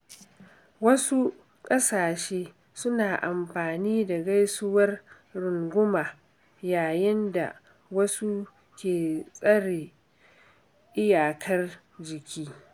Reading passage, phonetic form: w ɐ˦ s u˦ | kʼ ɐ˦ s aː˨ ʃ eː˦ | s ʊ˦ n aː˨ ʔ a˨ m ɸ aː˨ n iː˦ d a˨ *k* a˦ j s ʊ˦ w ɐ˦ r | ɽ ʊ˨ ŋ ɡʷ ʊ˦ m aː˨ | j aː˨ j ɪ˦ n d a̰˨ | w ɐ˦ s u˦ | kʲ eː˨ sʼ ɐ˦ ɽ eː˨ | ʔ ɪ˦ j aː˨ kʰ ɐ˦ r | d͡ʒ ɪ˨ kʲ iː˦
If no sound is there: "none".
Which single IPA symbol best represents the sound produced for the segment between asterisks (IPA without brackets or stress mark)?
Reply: ɡ